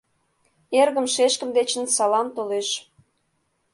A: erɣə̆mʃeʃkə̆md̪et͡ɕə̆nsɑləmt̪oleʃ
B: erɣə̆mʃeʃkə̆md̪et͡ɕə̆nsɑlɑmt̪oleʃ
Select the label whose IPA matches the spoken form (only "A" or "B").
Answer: B